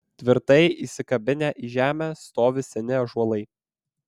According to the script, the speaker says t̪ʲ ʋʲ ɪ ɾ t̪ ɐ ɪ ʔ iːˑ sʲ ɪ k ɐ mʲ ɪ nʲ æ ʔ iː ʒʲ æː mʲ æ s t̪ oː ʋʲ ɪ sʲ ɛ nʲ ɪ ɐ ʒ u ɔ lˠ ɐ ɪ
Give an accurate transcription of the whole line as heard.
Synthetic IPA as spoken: t̪ʲ ʋʲ ɪ ɾ t̪ ɐ ɪ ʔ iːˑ sʲ ɪ k ɐ bʲ ɪ nʲ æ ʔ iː ʒʲ æː mʲ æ s t̪ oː ʋʲ ɪ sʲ ɛ nʲ ɪ ɐ ʒ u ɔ lˠ ɐ ɪ